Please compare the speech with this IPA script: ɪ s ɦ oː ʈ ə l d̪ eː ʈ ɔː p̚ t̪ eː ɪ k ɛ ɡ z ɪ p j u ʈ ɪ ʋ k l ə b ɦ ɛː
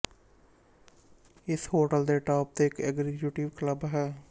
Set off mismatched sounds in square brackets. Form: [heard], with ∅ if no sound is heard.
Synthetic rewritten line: ɪ s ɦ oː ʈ ə l d̪ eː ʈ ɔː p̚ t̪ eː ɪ k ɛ ɡ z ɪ [k] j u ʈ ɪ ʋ k l ə b ɦ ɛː